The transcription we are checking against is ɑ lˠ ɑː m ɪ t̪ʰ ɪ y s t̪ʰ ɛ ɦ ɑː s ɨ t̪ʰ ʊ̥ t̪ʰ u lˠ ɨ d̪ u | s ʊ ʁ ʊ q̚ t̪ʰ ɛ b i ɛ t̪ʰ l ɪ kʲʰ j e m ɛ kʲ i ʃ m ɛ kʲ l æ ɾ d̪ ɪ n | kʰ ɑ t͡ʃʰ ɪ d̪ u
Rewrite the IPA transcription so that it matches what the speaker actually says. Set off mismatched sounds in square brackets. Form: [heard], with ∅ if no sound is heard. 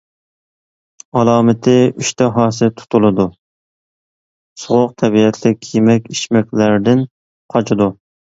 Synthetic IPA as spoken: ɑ lˠ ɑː m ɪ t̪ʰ ɪ y [ʃ] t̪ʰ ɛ ɦ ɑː s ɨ t̪ʰ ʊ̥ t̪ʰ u lˠ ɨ d̪ u | s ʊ ʁ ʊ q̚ t̪ʰ ɛ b i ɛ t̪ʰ l ɪ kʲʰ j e m ɛ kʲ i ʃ m ɛ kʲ l æ ɾ d̪ ɪ n | [qʰ] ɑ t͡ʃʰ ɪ d̪ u

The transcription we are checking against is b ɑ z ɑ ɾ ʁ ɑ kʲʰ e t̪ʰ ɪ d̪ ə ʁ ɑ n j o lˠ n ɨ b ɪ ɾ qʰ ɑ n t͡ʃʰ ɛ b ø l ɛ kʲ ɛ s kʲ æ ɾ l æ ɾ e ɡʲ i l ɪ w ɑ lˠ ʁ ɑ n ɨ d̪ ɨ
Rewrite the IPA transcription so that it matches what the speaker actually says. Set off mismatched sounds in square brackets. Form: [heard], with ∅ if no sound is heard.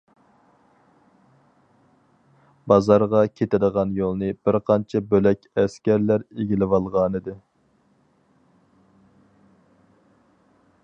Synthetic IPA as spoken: b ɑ z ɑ ɾ ʁ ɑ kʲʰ e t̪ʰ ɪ d̪ ə ʁ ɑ n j o lˠ n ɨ b ɪ ɾ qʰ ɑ n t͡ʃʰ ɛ b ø l ɛ kʲ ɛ s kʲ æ ɾ l æ ɾ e ɡʲ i l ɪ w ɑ lˠ ʁ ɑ n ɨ d̪ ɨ

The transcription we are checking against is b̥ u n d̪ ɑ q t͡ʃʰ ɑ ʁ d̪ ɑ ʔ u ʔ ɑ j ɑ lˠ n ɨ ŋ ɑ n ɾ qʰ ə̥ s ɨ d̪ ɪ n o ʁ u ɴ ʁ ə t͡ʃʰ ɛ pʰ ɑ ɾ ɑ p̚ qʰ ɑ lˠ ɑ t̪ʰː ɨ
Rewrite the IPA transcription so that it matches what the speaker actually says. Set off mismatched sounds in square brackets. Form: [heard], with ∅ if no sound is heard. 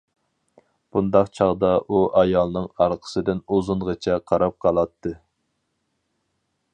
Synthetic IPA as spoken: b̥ u n d̪ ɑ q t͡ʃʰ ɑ ʁ d̪ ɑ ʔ u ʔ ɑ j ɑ lˠ n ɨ ŋ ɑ [∅] ɾ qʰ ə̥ s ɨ d̪ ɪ n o [z] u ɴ ʁ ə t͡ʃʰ ɛ [qʰ] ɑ ɾ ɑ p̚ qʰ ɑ lˠ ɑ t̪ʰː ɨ

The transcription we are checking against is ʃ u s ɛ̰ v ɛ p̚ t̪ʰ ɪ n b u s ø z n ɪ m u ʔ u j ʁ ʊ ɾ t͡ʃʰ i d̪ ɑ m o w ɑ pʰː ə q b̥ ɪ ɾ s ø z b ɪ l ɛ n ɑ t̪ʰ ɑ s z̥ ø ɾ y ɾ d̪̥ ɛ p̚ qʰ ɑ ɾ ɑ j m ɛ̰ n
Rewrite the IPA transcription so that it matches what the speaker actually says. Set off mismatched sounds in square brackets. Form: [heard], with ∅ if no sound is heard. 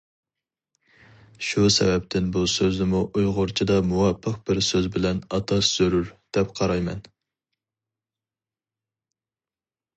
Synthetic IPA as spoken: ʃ u s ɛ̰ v ɛ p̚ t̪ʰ ɪ n b u s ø z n ɪ m u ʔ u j ʁ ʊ ɾ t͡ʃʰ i d̪ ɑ m [u] w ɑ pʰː ə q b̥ ɪ ɾ s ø z b ɪ l ɛ n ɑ t̪ʰ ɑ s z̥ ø ɾ y ɾ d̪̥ ɛ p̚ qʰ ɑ ɾ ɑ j m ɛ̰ n

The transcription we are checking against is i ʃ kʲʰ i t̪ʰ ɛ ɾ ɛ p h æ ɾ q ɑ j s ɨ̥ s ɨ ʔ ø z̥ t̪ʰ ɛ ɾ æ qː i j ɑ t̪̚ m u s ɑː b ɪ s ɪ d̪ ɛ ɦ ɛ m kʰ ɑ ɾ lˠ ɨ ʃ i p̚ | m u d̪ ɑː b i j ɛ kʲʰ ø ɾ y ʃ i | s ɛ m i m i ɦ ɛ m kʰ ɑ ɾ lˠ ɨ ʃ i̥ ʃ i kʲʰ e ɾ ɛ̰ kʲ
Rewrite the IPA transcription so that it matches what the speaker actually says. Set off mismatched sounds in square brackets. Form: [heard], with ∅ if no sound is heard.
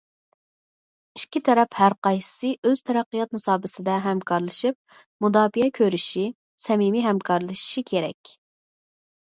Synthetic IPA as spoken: i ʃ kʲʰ i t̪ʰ ɛ ɾ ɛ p h æ ɾ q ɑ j s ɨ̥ s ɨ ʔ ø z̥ t̪ʰ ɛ ɾ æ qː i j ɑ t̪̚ m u s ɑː b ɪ s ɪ d̪ ɛ ɦ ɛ m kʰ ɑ ɾ lˠ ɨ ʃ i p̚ | m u d̪ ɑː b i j ɛ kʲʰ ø ɾ y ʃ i | s ɛ m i m i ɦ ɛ m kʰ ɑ ɾ lˠ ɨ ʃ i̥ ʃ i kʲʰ e ɾ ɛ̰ kʲ

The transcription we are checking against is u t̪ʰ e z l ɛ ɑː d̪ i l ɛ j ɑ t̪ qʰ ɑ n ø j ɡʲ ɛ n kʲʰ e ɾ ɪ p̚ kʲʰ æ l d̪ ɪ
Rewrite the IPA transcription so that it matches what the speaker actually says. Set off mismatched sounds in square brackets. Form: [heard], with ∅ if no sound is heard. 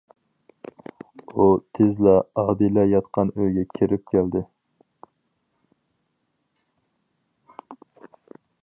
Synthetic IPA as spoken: u t̪ʰ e z l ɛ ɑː d̪ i l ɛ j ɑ t̪ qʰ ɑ n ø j ɡʲ ɛ [∅] kʲʰ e ɾ ɪ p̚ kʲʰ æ l d̪ ɪ

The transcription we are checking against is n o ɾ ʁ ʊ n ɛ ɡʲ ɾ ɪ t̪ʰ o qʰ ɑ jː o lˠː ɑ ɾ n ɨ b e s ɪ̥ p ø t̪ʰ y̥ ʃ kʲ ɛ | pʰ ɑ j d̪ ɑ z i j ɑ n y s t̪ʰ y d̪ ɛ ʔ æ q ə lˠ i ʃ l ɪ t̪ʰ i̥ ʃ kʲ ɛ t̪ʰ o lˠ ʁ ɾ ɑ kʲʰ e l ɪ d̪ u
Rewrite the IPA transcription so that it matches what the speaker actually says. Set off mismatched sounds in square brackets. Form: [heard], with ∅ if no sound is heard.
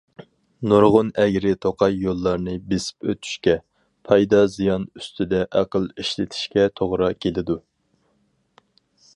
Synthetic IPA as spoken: n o ɾ ʁ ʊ n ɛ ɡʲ ɾ ɪ t̪ʰ o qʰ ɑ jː o lˠː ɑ ɾ n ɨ b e s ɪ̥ p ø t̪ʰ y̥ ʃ kʲ ɛ | pʰ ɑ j d̪ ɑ z i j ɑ n y s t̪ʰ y d̪ ɛ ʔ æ q ə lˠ i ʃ l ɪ t̪ʰ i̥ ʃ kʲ ɛ t̪ʰ o [∅] ʁ ɾ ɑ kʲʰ e l ɪ d̪ u

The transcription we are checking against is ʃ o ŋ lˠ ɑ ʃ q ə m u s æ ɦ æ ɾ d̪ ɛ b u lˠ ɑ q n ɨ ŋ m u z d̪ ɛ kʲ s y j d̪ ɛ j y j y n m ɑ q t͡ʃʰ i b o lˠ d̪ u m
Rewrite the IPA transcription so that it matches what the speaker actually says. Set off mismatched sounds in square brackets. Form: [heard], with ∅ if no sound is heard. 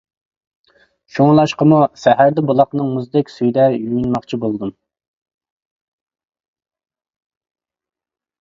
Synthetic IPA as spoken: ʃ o ŋ lˠ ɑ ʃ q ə m u s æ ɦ æ ɾ d̪ ɛ b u lˠ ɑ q n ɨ ŋ m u z d̪ ɛ kʲ s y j d̪ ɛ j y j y n m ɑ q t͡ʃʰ i b o lˠ d̪ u m

